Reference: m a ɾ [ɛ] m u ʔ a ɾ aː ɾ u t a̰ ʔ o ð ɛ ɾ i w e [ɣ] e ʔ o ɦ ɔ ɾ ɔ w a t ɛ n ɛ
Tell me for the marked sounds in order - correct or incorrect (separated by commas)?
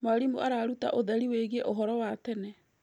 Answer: incorrect, correct